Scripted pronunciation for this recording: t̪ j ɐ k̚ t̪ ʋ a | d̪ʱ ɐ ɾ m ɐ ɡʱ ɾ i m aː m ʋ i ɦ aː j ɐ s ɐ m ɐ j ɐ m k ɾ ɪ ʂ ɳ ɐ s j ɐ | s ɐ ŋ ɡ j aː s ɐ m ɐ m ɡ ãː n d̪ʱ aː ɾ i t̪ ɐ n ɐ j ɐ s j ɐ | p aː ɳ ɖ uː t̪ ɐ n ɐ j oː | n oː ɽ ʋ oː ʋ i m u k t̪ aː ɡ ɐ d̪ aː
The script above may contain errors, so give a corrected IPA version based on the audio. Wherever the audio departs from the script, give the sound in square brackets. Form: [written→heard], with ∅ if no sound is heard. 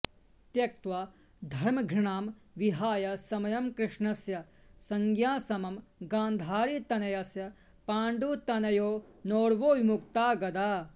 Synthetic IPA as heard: t̪ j ɐ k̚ t̪ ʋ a | d̪ʱ ɐ ɾ m ɐ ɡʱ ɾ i [m→ɳ] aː m ʋ i ɦ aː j ɐ s ɐ m ɐ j ɐ m k ɾ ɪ ʂ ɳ ɐ s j ɐ | s ɐ ŋ ɡ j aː s ɐ m ɐ m ɡ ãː n d̪ʱ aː ɾ i t̪ ɐ n ɐ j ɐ s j ɐ | p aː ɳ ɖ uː t̪ ɐ n ɐ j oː | n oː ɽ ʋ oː ʋ i m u k t̪ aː ɡ ɐ d̪ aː

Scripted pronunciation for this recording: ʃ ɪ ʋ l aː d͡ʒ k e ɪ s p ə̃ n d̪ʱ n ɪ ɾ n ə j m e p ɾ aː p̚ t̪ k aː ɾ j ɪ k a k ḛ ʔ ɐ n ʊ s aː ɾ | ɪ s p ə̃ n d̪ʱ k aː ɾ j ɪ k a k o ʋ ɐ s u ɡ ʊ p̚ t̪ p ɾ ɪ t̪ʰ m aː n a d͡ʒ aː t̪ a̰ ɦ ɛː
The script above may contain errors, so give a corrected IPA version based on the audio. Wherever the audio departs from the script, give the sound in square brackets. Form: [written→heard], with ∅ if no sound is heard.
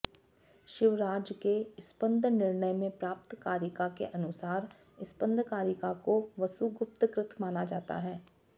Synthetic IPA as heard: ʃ ɪ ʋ [l→ɾ] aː d͡ʒ k e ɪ s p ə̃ n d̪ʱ n ɪ ɾ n ə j m [e→ẽ] p ɾ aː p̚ t̪ k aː ɾ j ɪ k a k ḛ ʔ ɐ n ʊ s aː ɾ | ɪ s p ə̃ n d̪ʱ k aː ɾ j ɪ k a k o ʋ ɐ s u ɡ ʊ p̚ t̪ [p→k] ɾ ɪ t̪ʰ m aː n a d͡ʒ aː t̪ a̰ ɦ ɛː

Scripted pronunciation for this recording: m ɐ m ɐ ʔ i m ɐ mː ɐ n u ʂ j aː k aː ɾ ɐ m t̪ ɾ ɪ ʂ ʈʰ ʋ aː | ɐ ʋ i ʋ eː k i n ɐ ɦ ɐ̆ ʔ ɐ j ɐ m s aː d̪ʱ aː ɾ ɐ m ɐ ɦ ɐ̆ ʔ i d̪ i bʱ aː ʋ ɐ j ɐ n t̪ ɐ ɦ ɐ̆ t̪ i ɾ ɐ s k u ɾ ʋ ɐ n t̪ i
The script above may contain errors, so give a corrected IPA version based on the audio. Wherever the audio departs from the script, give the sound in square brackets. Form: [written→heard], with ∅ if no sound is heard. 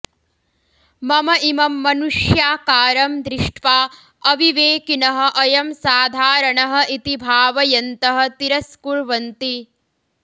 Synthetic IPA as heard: m ɐ m ɐ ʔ i m ɐ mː ɐ n u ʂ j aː k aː ɾ ɐ m [t̪→d̪] ɾ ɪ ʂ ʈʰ ʋ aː | ɐ ʋ i ʋ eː k i n ɐ ɦ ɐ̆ ʔ ɐ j ɐ m s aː d̪ʱ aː ɾ ɐ [m→ɳ] ɐ ɦ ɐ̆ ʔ i [d̪→t̪] i bʱ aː ʋ ɐ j ɐ n t̪ ɐ ɦ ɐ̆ t̪ i ɾ ɐ s k u ɾ ʋ ɐ n t̪ i

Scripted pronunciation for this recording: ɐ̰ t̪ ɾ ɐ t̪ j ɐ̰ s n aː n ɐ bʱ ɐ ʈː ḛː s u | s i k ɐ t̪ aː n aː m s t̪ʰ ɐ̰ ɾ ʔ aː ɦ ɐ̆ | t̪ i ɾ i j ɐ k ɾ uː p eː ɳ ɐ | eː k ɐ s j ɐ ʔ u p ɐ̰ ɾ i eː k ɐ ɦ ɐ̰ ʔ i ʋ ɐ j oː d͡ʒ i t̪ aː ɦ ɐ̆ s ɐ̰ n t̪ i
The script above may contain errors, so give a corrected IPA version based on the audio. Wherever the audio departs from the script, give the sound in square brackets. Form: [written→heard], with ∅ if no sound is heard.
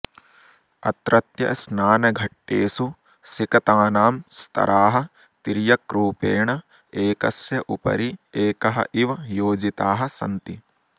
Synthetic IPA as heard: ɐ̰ t̪ ɾ ɐ t̪ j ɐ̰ s n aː n ɐ [bʱ→ɡʱ] ɐ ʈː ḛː s u | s i k ɐ t̪ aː n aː m s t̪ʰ ɐ̰ ɾ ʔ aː ɦ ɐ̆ | t̪ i ɾ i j ɐ k ɾ uː p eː ɳ ɐ | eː k ɐ s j ɐ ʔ u p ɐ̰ ɾ i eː k ɐ ɦ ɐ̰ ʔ i ʋ ɐ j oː d͡ʒ i t̪ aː ɦ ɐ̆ s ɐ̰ n t̪ i

